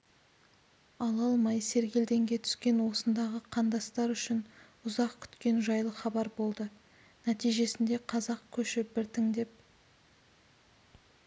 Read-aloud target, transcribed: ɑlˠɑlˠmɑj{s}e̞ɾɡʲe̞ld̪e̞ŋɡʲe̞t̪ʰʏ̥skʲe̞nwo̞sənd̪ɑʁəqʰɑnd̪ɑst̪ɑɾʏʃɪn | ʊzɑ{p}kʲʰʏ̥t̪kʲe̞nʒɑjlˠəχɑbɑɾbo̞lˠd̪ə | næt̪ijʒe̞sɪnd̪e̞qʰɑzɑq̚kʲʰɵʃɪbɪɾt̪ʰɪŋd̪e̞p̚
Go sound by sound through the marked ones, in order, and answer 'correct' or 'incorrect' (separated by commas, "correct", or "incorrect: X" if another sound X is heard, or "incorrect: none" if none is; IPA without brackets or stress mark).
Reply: correct, incorrect: q